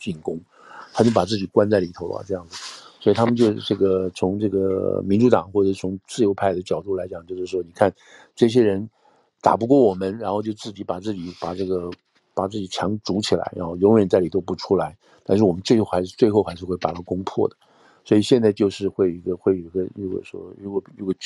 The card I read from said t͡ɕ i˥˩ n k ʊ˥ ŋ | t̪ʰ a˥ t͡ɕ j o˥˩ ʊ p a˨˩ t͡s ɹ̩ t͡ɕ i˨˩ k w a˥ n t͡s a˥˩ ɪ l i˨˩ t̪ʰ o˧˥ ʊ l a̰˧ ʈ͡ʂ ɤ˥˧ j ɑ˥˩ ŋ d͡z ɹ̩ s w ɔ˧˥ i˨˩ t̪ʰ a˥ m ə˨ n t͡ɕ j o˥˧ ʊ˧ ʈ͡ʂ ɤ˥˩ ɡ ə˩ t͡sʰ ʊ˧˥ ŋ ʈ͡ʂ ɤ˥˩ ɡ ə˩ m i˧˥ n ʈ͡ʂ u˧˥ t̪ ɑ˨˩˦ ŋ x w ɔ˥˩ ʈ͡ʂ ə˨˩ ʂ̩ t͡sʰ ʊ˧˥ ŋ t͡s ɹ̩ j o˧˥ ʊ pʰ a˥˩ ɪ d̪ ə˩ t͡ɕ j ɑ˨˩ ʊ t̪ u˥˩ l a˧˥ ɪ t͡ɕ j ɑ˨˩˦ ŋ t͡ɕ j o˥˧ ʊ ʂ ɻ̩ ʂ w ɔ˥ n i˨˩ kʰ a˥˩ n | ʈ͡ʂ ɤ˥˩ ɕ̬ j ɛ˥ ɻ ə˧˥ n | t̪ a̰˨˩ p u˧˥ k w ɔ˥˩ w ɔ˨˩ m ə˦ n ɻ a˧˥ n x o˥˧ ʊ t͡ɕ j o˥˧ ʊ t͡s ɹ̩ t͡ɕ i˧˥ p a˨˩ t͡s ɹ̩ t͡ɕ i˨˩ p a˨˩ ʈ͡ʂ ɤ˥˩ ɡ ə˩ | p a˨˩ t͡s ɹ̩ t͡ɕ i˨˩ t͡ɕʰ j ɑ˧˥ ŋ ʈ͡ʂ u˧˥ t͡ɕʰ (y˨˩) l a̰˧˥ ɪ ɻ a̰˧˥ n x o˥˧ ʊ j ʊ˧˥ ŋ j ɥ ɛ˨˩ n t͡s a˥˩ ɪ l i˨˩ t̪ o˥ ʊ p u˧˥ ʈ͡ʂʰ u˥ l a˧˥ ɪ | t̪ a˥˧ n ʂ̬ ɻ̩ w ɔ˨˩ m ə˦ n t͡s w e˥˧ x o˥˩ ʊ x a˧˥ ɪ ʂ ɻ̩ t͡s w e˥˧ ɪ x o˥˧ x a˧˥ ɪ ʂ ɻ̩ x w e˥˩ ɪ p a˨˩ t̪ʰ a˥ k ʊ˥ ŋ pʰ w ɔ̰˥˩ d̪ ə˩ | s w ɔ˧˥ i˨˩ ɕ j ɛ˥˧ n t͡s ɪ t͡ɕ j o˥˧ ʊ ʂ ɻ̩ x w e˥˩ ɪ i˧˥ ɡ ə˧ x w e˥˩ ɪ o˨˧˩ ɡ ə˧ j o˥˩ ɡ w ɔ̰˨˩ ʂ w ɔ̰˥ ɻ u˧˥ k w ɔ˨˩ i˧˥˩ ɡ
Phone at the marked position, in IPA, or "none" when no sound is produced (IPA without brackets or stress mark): i˨˩